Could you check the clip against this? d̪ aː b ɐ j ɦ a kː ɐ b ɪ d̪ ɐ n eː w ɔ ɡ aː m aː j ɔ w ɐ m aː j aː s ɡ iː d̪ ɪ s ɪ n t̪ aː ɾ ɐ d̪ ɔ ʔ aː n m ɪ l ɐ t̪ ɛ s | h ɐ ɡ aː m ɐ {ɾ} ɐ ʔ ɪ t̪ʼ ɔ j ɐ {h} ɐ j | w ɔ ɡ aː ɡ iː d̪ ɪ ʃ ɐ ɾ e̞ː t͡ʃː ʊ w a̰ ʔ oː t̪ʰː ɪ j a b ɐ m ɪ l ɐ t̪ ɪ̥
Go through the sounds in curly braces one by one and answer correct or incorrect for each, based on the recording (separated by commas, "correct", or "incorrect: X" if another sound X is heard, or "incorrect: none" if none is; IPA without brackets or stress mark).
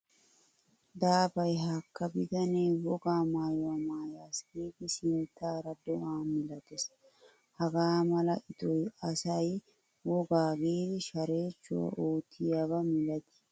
incorrect: l, incorrect: s